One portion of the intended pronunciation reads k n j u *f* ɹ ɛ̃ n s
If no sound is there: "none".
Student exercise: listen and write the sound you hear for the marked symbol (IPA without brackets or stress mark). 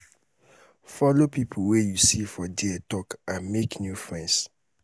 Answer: f